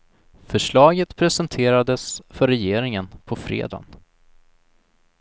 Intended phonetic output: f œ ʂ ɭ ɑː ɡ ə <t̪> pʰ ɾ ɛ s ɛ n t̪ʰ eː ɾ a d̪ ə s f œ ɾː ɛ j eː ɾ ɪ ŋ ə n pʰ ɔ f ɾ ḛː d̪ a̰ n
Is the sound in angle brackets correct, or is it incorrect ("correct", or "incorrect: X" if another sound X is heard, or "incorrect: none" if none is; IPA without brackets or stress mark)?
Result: correct